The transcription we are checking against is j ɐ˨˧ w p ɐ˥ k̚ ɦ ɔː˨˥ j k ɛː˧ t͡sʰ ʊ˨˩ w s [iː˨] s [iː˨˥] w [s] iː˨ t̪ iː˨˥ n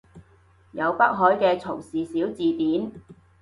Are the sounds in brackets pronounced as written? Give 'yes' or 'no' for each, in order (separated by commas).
yes, yes, no